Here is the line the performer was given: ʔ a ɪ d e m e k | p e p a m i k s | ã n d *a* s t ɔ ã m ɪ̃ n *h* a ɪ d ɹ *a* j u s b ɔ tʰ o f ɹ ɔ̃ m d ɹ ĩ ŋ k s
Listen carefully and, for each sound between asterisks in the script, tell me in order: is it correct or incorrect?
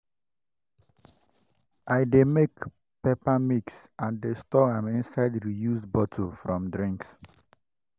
incorrect: e, incorrect: s, incorrect: i

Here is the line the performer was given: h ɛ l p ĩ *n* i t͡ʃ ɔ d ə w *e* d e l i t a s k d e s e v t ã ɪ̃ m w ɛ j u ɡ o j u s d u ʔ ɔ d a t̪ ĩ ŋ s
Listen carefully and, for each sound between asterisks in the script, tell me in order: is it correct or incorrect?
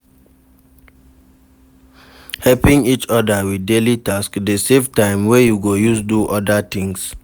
incorrect: ŋ, incorrect: i

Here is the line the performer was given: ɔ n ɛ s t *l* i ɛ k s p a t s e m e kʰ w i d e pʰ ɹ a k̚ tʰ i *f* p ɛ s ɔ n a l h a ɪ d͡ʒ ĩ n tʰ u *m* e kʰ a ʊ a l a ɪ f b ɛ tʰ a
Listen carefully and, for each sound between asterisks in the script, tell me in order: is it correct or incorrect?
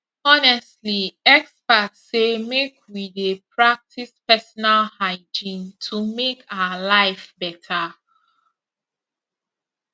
correct, incorrect: s, correct

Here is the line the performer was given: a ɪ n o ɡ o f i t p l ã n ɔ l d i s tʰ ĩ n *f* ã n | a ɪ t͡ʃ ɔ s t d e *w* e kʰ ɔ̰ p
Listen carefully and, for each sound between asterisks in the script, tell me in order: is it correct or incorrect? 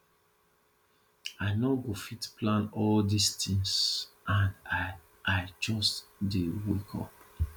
incorrect: s, correct

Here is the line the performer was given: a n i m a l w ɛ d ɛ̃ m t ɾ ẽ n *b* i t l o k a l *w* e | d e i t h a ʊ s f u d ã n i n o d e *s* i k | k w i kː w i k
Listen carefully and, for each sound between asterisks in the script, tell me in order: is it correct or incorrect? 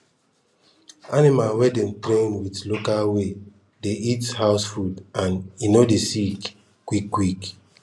incorrect: w, correct, correct

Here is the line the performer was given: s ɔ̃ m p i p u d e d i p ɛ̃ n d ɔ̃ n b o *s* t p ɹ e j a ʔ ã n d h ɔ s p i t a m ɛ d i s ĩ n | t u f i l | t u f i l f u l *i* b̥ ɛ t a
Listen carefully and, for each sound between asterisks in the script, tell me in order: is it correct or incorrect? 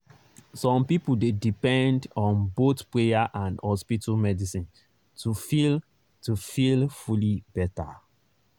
incorrect: none, correct

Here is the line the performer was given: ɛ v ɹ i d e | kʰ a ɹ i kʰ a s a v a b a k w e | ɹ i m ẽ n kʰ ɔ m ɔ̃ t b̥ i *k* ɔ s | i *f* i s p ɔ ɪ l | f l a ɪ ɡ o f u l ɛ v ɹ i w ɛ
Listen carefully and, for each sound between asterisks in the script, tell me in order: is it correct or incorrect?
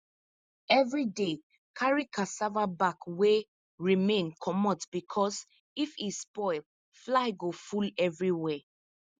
incorrect: kʰ, correct

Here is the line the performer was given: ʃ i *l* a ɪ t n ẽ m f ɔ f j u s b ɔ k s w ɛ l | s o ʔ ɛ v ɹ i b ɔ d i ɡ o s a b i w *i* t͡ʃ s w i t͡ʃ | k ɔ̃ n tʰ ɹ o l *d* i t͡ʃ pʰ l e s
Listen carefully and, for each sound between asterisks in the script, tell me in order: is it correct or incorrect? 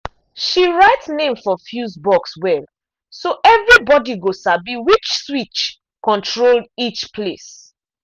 incorrect: ɹ, correct, correct

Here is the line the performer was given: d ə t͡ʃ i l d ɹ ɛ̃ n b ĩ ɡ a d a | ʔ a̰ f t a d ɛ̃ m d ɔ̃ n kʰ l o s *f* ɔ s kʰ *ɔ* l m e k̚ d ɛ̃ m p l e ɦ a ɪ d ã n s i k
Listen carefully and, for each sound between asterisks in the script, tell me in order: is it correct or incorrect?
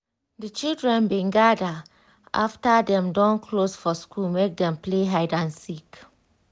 correct, incorrect: u

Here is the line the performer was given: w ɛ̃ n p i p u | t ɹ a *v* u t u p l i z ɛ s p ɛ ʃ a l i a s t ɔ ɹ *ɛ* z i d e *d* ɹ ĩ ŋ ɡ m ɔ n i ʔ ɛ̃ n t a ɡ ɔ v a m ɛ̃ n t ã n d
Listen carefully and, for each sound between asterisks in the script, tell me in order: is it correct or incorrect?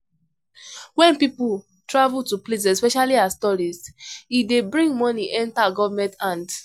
correct, incorrect: i, incorrect: b

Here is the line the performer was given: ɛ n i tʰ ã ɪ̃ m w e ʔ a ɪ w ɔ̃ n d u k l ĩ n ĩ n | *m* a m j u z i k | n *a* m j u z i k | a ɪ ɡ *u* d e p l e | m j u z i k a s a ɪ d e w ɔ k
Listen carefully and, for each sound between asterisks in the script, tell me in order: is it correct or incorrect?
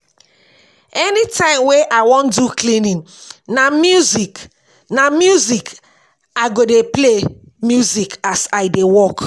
incorrect: n, correct, incorrect: o

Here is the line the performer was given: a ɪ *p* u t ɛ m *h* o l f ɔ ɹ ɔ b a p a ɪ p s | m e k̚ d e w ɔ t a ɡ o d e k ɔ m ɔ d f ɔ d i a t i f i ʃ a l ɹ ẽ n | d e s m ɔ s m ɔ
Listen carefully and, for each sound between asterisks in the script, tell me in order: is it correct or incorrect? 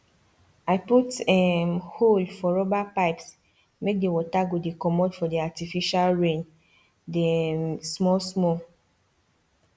correct, correct

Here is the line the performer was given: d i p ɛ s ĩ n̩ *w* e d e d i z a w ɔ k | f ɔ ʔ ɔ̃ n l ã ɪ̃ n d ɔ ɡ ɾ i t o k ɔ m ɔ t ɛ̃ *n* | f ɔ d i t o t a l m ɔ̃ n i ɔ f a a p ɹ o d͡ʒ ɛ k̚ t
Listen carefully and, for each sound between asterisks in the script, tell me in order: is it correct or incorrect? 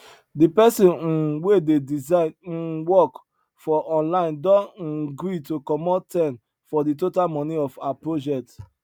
correct, correct

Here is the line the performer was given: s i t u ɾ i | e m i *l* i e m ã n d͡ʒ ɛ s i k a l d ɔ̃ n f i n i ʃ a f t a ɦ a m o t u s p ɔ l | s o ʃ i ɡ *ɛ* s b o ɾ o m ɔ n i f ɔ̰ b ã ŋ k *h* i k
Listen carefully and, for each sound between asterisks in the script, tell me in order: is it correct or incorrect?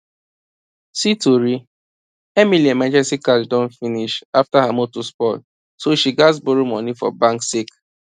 correct, incorrect: a, incorrect: s

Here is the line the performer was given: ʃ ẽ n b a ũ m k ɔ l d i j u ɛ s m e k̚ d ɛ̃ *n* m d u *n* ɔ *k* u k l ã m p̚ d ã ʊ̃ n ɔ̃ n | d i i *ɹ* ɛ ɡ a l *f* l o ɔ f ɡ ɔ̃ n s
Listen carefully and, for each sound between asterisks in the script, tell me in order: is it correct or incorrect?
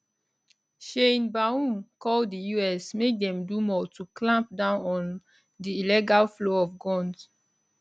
incorrect: none, incorrect: m, incorrect: t, incorrect: l, correct

